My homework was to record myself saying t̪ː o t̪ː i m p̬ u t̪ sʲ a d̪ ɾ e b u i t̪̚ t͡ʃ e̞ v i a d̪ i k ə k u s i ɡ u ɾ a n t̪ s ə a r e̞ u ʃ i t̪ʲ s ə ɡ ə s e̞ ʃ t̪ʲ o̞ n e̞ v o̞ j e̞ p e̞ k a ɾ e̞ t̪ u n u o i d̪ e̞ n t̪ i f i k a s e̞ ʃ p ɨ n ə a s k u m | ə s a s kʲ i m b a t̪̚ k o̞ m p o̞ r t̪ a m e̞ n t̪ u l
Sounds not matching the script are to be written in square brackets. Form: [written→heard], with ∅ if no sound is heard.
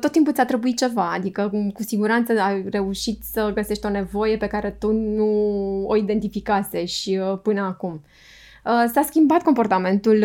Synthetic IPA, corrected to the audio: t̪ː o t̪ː i m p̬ u t̪ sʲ a [d̪→t̪] ɾ e b u i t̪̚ t͡ʃ e̞ v [i→a] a d̪ i k ə k u s i ɡ u ɾ a n t̪ s ə a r e̞ u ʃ i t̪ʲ s ə ɡ ə s e̞ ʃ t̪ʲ o̞ n e̞ v o̞ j e̞ p e̞ k a ɾ e̞ t̪ u n u o i d̪ e̞ n t̪ i f i k a s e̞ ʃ p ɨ n ə a [s→∅] k u m | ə s a s kʲ i m b a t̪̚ k o̞ m p o̞ r t̪ a m e̞ n t̪ u l